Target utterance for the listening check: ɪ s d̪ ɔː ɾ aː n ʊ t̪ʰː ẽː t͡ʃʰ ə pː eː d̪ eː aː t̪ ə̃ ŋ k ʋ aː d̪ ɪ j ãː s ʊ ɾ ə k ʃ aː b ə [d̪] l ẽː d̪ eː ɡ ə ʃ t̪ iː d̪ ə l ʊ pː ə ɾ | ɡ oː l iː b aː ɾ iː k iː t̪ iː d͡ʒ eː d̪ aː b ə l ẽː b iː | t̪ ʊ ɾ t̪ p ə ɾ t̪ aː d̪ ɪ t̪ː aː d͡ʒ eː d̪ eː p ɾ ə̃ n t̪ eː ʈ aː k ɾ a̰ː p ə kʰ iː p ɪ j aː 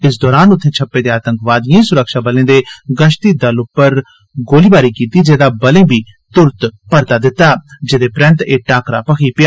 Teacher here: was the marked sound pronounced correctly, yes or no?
no